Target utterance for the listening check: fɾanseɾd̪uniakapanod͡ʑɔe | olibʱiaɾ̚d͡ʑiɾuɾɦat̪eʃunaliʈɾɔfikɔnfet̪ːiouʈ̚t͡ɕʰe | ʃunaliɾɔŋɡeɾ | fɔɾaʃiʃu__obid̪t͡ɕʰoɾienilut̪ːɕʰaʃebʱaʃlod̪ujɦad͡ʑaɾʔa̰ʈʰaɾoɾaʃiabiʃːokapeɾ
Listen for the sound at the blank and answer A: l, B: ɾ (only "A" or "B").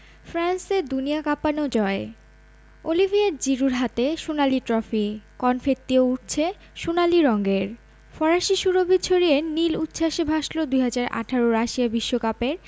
B